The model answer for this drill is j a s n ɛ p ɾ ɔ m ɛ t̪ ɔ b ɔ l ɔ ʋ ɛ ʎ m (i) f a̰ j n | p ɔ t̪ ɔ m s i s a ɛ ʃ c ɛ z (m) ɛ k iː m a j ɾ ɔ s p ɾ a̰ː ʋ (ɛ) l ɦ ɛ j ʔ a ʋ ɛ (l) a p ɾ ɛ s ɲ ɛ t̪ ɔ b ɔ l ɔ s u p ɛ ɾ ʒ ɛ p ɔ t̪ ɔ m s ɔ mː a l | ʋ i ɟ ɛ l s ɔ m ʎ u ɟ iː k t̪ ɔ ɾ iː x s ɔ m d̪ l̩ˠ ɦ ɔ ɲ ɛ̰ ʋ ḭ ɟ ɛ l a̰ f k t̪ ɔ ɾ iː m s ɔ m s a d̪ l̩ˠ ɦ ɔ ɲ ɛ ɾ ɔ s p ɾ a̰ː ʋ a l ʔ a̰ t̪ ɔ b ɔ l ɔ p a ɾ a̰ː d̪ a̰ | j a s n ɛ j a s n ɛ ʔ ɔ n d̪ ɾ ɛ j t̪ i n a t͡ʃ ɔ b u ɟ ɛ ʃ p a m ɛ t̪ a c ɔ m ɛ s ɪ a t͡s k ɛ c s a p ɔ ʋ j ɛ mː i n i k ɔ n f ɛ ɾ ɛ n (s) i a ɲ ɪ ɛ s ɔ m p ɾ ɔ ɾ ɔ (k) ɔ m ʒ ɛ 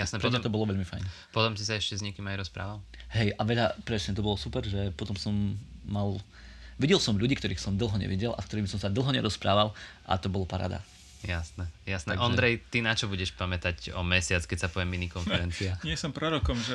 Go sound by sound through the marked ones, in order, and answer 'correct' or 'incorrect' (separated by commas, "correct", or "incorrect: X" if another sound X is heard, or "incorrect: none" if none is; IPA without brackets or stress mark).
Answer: correct, incorrect: ɲ, incorrect: a, incorrect: ʎ, incorrect: t͡s, correct